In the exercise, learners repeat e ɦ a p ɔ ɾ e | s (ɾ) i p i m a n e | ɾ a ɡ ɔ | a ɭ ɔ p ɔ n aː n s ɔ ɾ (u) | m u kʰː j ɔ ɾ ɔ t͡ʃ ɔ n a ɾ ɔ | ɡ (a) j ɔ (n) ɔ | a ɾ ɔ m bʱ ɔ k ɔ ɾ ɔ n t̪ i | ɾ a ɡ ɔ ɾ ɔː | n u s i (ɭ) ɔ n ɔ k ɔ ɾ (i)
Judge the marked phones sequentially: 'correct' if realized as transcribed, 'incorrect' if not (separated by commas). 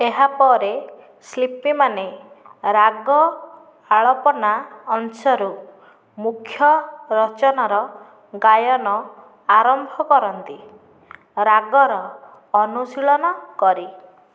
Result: incorrect, correct, correct, correct, correct, correct